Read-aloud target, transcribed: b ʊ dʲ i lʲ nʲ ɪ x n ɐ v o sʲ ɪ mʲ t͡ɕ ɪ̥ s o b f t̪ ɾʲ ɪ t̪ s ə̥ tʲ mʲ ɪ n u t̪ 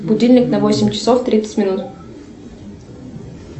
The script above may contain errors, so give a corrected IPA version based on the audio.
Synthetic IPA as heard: b ʊ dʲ i lʲ nʲ ɪ k n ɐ v o sʲ ɪ mʲ t͡ɕ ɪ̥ s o f t̪ ɾʲ i t̪ s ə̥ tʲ mʲ ɪ n u t̪